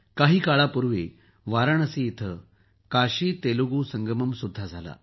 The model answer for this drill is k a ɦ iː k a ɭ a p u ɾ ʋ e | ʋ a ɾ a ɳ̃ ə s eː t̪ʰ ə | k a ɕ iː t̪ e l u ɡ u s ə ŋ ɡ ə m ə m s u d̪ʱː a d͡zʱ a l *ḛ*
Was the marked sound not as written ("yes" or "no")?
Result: yes